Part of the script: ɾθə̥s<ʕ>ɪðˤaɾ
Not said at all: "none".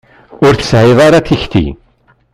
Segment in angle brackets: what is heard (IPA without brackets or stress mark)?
ʕ